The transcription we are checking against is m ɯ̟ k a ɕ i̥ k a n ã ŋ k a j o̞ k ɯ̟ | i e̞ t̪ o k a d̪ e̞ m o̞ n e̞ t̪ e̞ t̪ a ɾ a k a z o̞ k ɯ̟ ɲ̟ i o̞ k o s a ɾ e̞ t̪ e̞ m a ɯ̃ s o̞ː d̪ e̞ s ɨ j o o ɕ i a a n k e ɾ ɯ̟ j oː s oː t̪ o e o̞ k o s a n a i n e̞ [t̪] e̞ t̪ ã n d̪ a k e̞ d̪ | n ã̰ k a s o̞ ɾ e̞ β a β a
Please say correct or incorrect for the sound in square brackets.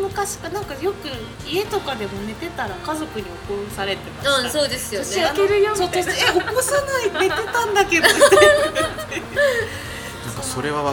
correct